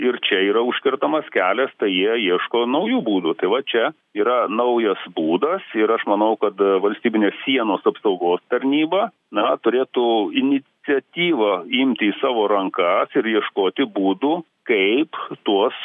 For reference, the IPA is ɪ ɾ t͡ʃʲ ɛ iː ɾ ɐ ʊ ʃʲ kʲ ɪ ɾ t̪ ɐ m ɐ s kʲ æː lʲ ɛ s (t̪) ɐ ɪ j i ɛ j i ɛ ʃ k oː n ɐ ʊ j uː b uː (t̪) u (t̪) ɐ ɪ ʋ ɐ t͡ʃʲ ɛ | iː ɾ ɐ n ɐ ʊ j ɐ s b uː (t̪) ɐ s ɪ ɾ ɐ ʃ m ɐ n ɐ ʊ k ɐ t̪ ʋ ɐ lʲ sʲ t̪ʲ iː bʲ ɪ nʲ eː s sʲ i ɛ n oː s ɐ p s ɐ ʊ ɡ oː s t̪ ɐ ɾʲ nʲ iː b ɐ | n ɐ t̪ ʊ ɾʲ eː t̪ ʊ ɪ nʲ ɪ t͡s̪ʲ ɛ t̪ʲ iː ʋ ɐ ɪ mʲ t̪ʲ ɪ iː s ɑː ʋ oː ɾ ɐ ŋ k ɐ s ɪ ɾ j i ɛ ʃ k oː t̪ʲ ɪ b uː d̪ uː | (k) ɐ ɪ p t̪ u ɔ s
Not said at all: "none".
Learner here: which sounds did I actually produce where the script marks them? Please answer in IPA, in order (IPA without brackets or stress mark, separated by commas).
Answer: t̪, d̪, t̪, d̪, k